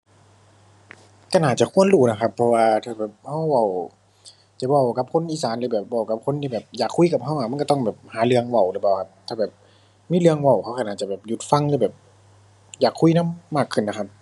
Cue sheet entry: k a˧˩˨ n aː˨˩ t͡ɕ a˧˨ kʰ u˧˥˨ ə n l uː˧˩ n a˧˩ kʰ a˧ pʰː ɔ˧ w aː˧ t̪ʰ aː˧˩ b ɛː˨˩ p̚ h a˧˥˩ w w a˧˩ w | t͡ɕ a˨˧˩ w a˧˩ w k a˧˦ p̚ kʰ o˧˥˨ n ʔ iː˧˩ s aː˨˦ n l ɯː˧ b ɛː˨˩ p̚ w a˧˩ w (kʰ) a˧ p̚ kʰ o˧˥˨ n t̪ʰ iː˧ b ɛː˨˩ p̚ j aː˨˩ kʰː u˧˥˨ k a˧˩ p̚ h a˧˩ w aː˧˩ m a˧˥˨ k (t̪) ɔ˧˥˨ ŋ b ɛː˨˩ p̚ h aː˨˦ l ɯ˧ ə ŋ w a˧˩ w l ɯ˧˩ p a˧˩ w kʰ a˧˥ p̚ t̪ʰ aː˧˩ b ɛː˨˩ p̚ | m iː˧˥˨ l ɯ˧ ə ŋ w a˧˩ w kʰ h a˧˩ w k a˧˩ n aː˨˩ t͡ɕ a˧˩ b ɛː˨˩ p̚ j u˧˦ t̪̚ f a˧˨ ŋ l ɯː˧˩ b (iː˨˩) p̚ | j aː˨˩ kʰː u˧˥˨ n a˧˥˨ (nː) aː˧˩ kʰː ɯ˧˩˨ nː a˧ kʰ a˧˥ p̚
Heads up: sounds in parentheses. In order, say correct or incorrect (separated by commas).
incorrect, correct, incorrect, incorrect